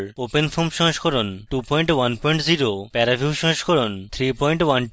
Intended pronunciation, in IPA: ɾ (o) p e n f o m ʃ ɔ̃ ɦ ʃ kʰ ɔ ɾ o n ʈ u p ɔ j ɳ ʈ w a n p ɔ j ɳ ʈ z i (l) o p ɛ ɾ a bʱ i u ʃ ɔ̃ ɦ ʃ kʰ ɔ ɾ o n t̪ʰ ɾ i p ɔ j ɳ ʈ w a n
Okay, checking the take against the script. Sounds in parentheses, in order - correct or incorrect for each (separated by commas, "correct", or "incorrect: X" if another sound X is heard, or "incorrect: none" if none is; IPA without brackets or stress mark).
correct, incorrect: ɾ